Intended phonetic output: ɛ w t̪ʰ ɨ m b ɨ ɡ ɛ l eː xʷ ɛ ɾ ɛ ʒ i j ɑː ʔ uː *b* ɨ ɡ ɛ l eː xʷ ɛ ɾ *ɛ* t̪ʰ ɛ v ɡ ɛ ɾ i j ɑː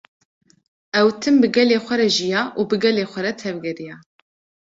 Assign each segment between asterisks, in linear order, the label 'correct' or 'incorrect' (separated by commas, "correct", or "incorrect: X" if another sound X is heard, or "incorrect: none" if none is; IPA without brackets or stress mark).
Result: correct, correct